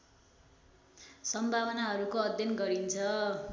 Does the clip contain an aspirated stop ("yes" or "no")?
yes